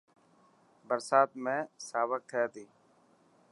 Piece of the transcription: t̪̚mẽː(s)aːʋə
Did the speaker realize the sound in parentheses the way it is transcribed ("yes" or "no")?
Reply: yes